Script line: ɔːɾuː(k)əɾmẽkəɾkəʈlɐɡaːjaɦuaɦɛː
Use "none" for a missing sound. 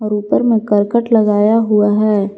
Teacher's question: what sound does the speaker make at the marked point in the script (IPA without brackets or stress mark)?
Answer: p